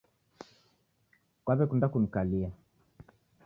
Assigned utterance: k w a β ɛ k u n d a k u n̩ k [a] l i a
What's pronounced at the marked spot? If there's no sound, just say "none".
a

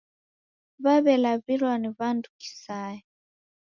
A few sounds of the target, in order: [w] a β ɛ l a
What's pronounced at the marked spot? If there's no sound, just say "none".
β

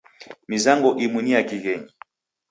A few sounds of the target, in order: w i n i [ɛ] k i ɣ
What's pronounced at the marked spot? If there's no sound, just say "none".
a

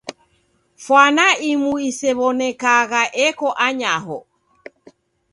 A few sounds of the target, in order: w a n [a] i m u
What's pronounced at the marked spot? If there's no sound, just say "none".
a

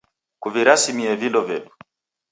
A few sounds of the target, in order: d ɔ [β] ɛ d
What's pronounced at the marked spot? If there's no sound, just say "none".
v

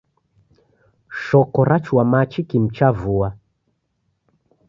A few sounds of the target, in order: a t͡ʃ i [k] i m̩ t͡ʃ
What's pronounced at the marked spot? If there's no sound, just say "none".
k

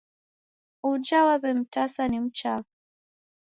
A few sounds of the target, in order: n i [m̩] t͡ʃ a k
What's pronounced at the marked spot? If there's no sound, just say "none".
m̩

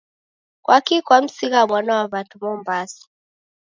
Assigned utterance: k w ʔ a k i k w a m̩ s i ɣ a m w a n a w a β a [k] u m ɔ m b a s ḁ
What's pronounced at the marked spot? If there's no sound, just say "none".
t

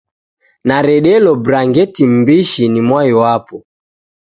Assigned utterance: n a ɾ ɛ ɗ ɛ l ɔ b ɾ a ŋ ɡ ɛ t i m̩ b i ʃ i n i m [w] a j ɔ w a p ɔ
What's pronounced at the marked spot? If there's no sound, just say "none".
w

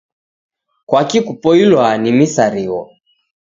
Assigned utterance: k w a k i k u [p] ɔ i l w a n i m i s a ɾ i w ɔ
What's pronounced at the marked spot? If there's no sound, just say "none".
p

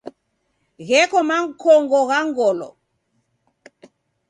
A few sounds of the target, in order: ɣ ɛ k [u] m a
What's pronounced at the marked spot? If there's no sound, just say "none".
ɔ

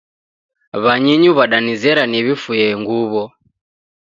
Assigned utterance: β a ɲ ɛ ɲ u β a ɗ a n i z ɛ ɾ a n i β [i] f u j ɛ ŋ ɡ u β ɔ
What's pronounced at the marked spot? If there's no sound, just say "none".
i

